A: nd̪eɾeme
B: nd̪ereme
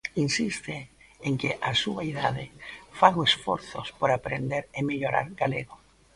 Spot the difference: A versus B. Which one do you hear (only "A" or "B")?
A